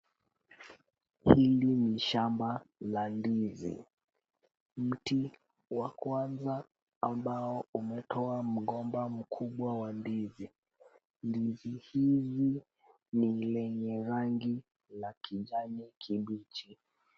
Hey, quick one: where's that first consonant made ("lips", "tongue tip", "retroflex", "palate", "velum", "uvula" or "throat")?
throat